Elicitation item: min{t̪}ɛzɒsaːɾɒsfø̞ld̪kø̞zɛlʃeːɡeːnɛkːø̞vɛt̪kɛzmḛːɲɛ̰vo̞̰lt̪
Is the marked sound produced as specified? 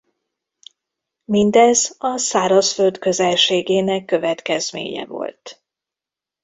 no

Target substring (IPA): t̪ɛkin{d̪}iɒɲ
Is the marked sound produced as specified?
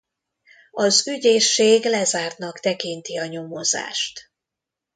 no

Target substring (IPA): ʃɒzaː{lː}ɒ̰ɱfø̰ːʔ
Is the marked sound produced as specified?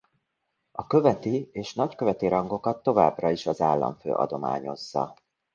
yes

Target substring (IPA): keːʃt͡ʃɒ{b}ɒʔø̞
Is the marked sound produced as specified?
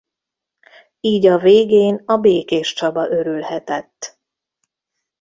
yes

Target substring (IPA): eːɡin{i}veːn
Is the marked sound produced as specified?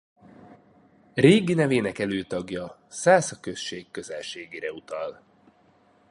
no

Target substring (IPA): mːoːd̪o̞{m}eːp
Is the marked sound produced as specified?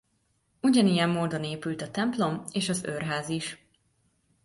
no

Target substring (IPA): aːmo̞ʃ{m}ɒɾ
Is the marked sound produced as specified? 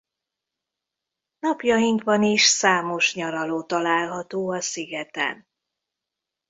no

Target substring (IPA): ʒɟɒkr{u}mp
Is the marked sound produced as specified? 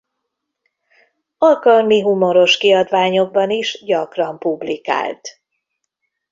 no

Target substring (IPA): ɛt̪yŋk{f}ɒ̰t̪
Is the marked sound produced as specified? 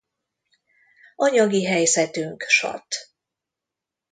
no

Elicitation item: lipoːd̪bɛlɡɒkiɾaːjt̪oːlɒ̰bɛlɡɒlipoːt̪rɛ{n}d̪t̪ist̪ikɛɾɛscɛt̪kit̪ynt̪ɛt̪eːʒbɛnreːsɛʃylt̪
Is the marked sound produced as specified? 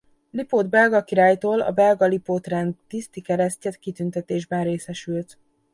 yes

